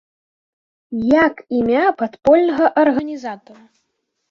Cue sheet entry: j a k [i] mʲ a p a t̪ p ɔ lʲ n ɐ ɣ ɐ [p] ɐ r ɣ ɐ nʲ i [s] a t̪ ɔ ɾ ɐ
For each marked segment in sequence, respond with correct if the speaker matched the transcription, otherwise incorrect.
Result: correct, incorrect, incorrect

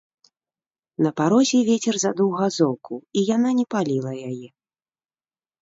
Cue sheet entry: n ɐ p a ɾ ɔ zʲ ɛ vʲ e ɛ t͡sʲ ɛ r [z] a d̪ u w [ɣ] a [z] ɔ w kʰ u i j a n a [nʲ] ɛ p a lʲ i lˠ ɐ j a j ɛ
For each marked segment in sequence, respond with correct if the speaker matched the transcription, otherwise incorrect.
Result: correct, correct, correct, correct

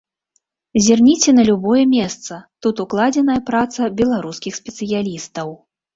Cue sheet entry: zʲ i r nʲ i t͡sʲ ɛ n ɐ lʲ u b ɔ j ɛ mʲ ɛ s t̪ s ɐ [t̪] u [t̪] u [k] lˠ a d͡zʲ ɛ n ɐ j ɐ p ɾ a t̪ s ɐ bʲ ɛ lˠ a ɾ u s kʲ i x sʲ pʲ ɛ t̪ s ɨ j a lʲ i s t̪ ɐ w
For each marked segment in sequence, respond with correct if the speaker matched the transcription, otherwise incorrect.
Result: correct, correct, correct

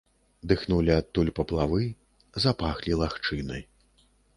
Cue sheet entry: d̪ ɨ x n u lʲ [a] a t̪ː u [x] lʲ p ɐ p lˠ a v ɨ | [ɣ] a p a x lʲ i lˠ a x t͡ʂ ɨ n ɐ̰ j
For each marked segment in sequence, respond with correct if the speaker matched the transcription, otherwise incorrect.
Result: incorrect, incorrect, incorrect

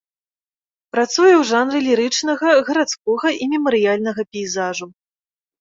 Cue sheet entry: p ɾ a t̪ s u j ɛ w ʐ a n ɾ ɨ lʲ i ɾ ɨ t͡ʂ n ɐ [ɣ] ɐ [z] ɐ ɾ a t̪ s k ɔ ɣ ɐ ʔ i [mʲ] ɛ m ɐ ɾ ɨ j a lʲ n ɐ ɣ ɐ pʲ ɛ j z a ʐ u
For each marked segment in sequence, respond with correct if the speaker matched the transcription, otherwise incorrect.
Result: correct, incorrect, correct

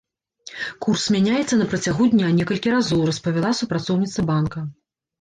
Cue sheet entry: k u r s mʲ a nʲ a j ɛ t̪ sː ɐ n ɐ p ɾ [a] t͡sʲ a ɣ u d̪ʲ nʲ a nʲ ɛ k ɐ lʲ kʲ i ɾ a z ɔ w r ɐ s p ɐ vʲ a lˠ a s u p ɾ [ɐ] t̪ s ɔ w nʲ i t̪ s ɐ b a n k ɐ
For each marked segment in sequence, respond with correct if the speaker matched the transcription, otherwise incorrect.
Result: incorrect, incorrect

